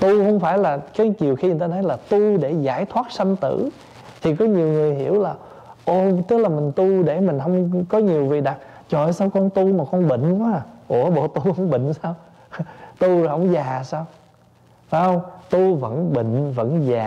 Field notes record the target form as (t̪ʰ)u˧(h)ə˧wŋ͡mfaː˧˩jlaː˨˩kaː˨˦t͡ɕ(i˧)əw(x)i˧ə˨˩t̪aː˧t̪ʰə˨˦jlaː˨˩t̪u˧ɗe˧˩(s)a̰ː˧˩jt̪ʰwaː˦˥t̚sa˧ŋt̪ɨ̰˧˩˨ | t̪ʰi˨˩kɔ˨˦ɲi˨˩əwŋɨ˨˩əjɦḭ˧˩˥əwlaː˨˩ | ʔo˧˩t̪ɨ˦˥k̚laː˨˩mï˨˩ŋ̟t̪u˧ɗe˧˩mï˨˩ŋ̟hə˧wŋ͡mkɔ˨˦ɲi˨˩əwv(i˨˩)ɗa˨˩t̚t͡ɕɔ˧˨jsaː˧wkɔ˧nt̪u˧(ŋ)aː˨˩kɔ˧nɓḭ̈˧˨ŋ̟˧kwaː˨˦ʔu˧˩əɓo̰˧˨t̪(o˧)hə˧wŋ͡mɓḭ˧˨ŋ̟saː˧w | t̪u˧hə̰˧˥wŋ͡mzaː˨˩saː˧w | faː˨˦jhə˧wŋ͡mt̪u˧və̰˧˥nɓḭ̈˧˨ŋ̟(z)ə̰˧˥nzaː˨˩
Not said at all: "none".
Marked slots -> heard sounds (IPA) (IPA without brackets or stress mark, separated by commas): t̪, h, i˨˩, x, z, i˨˩, m, u˧, v